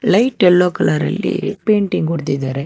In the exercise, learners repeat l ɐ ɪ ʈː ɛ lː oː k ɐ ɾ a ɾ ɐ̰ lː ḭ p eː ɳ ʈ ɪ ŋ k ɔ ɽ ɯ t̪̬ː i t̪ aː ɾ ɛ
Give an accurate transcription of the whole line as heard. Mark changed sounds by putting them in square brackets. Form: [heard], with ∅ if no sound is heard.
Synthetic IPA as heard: l ɐ ɪ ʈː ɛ lː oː k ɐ [l] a ɾ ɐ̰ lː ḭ p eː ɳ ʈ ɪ ŋ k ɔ ɽ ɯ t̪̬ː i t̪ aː ɾ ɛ

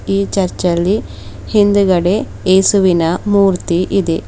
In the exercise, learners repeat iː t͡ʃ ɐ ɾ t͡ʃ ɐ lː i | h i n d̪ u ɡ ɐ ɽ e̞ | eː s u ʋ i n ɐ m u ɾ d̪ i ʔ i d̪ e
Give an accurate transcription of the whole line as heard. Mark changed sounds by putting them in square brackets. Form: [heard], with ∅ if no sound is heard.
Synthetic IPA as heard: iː t͡ʃ ɐ ɾ t͡ʃ ɐ lː i | h i n d̪ u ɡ ɐ ɽ e̞ | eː s u ʋ i n ɐ m [uː] ɾ [t̪] i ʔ i d̪ e

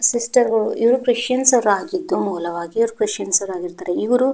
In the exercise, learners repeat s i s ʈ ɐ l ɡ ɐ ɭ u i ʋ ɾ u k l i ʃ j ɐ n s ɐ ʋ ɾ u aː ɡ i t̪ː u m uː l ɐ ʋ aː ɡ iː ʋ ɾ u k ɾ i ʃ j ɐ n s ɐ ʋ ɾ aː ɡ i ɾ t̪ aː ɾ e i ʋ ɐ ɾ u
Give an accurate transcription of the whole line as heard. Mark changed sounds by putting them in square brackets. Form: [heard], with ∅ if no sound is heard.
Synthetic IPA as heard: s i s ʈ ɐ [ɾ] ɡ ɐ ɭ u i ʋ ɾ u k [ɾ] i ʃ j ɐ n s ɐ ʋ ɾ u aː ɡ i [d̪ː] u m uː l ɐ ʋ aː ɡ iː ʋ ɾ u k ɾ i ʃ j ɐ n s ɐ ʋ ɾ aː ɡ i ɾ t̪ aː ɾ e i ʋ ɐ ɾ u

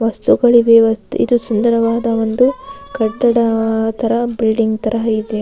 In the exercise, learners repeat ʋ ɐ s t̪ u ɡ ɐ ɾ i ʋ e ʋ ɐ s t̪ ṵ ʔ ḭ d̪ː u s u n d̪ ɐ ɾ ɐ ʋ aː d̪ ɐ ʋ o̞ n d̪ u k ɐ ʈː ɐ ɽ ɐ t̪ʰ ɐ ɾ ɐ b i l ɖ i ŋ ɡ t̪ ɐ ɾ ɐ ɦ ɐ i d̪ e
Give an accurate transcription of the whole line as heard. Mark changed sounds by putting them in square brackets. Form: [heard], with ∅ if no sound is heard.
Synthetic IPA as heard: ʋ ɐ s t̪ u ɡ ɐ [ɭ] i ʋ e ʋ ɐ s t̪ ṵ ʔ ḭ [d̪] u s u n d̪ ɐ ɾ ɐ ʋ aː d̪ ɐ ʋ o̞ n d̪ u k ɐ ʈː ɐ ɽ ɐ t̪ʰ ɐ ɾ ɐ b i l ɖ i ŋ ɡ t̪ ɐ ɾ ɐ ɦ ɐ i d̪ e

